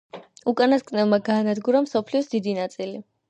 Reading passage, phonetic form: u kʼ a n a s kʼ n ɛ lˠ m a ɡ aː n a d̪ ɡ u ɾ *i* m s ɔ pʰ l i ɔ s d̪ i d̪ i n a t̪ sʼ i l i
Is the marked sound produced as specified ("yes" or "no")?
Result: no